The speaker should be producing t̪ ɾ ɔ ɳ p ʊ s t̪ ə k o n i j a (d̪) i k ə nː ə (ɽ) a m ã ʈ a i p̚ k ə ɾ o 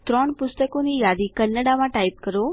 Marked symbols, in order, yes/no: yes, yes

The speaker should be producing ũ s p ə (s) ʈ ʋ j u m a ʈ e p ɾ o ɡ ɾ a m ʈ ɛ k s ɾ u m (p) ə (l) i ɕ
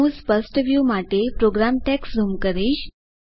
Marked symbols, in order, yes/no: yes, no, no

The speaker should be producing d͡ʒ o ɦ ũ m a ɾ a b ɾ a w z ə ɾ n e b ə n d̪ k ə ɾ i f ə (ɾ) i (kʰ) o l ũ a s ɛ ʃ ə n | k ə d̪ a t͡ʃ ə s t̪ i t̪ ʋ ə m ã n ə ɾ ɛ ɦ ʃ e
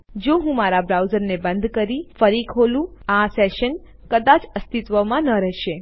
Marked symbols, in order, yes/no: yes, yes

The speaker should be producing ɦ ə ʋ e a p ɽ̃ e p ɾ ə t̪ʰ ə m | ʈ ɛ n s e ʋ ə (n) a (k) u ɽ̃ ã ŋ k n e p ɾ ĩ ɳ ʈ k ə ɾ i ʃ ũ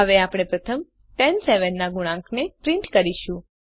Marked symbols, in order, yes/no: no, no

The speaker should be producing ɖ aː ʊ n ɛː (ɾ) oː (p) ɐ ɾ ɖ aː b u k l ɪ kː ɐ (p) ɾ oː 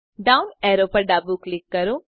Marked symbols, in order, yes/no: yes, yes, no

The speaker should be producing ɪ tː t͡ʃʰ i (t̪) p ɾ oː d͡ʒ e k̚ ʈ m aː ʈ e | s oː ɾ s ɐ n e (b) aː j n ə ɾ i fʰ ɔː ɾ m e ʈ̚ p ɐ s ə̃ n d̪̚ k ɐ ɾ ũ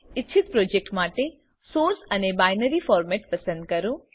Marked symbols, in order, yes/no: yes, yes

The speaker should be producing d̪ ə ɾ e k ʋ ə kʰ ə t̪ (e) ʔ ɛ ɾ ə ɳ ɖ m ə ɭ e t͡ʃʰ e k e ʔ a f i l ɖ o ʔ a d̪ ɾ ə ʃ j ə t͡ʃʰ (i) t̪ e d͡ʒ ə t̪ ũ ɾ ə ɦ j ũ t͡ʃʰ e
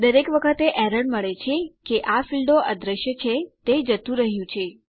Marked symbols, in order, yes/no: yes, no

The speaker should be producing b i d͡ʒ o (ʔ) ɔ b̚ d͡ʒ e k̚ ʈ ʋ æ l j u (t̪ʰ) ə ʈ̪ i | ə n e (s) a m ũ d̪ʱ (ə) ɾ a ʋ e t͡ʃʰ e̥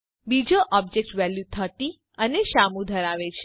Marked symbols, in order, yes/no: yes, yes, no, yes

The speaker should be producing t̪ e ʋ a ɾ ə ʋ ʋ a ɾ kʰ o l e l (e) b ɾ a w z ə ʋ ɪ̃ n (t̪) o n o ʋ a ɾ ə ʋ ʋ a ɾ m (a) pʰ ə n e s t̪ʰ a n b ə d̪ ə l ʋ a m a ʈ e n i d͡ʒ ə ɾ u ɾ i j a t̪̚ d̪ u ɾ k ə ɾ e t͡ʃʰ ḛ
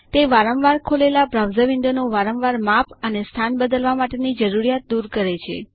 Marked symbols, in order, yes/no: no, no, yes

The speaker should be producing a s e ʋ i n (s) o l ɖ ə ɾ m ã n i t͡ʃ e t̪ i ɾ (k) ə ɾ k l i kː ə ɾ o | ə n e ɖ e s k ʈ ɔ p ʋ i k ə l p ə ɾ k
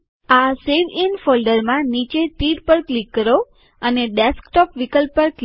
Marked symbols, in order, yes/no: no, no

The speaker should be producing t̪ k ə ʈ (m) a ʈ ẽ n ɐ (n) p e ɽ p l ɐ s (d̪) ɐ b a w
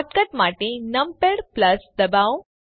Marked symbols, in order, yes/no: yes, no, yes

